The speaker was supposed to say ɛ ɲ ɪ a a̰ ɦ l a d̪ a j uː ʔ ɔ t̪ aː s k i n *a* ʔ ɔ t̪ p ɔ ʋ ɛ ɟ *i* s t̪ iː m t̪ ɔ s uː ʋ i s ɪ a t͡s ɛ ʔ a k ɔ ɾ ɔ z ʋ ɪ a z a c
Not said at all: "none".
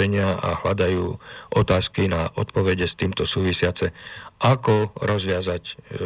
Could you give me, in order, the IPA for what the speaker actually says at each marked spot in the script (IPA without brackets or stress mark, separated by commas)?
a, ɛ